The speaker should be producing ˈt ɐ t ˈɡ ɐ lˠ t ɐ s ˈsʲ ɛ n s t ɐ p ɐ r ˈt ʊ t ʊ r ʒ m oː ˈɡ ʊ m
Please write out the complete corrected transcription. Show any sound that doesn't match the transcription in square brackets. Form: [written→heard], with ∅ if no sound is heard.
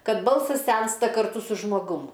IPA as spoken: [ˈt→ˈk] ɐ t [ˈɡ→ˈb] ɐ lˠ [t→s] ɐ s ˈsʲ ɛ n s t ɐ [p→k] ɐ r ˈt ʊ [t→s] ʊ [r→∅] ʒ m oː ˈɡ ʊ m